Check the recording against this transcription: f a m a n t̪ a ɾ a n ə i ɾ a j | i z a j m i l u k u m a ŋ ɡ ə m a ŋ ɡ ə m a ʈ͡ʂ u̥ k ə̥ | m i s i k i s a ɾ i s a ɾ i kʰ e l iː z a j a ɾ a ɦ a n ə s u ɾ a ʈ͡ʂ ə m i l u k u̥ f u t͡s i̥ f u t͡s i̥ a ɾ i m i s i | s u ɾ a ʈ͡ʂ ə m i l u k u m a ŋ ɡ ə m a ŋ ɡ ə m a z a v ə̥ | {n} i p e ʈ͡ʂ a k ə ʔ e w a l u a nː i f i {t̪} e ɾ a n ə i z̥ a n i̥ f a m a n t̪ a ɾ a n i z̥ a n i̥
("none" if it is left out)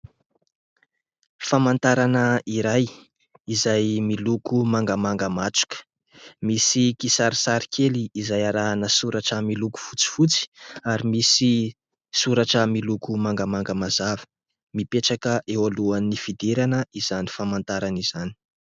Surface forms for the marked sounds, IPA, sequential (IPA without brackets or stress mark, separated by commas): m, d̪